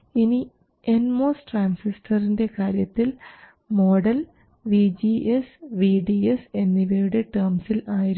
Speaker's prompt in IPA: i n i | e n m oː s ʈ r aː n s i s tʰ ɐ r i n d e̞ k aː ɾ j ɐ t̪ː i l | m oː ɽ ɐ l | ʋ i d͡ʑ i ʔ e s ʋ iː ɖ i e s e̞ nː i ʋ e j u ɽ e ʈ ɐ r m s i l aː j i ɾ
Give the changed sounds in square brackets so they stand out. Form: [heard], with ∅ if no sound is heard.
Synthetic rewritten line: i n i | e n m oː s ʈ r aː n s i s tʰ ɐ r i n d e̞ k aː ɾ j ɐ t̪ː i l | m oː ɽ ɐ l | ʋ i d͡ʑ i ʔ e s ʋ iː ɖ i e s e̞ nː i ʋ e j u ɽ e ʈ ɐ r m s i l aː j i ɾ